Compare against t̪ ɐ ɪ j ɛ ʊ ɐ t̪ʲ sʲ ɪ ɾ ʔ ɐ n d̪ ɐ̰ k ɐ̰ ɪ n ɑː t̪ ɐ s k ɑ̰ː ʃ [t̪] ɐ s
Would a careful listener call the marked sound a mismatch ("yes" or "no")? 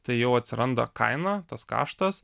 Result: no